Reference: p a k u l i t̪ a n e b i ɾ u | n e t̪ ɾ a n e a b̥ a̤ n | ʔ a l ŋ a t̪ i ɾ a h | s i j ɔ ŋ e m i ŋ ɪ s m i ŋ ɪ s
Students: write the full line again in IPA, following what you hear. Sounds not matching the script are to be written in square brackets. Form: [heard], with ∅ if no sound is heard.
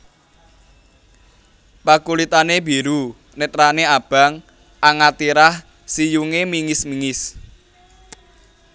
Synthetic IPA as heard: p a k u l i t̪ a n e b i ɾ u | n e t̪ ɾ a n e a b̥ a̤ [ŋ] | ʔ a [∅] ŋ a t̪ i ɾ a h | s i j [u] ŋ e m i ŋ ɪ s m i ŋ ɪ s